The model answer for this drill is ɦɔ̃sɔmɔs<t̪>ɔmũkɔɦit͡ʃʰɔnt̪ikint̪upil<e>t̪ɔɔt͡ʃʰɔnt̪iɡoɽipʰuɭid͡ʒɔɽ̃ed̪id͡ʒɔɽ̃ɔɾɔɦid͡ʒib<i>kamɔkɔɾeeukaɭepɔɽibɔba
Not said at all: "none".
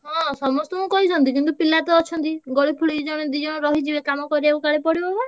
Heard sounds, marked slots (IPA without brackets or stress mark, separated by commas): t̪, a, e